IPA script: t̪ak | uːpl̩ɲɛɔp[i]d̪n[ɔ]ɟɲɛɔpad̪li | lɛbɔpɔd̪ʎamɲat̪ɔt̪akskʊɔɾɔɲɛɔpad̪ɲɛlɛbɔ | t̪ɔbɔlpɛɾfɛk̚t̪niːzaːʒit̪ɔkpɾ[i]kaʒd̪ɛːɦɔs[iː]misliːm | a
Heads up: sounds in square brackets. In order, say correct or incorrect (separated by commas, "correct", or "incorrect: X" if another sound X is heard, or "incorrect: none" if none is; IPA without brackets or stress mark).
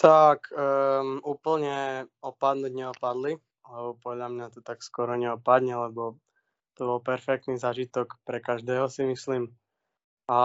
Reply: incorrect: a, incorrect: u, incorrect: ɛ, incorrect: i